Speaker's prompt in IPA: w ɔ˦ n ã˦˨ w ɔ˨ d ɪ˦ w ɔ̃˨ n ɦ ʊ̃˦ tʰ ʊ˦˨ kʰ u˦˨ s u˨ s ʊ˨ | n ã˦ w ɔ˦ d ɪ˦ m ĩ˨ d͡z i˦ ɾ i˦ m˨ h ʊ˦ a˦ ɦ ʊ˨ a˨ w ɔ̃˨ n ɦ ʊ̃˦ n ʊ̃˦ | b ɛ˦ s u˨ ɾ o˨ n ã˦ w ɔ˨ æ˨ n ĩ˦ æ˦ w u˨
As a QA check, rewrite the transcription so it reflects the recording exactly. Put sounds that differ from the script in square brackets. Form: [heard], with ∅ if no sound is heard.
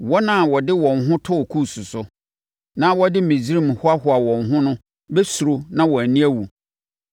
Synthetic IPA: w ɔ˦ n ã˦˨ w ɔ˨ d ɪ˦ w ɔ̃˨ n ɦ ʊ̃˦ tʰ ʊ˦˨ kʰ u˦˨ s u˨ s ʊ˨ | n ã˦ w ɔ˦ d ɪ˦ m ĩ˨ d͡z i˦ ɾ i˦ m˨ h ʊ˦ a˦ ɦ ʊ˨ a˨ w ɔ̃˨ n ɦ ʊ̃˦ n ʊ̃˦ | b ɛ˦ s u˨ ɾ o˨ n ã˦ w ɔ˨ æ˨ n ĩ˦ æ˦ w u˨